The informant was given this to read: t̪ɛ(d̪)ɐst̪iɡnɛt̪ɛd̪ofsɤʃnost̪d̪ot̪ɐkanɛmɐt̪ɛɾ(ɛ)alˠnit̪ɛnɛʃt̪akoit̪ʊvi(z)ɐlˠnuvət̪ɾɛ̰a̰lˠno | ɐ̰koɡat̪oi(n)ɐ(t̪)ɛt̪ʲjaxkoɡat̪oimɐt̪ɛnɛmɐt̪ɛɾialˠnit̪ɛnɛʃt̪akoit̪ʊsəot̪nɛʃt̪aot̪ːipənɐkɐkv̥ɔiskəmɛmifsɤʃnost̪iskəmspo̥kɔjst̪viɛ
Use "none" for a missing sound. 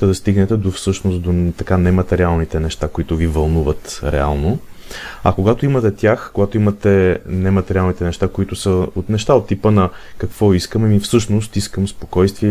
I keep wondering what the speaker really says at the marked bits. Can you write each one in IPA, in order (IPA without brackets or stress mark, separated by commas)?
d̪, i, v, m, t̪